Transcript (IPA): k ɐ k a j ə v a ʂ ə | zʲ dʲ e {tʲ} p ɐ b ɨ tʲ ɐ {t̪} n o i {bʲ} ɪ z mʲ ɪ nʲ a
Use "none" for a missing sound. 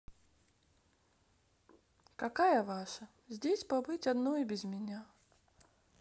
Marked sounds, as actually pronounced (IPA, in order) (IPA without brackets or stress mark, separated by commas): sʲ, d̪, bʲ